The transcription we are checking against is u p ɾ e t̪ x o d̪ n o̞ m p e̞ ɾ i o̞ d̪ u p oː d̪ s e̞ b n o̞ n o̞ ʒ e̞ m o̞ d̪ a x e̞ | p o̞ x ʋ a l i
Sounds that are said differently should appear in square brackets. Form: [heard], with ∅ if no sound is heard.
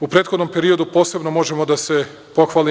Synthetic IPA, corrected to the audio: u p ɾ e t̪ x o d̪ n o̞ m p e̞ ɾ i o̞ d̪ u p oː [∅] s e̞ b n o̞ [m] o̞ ʒ e̞ m o̞ d̪ a [s] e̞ | p o̞ x ʋ a l i